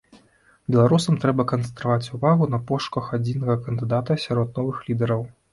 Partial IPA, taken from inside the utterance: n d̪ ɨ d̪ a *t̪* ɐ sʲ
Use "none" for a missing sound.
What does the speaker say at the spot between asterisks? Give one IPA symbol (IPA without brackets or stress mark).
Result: t̪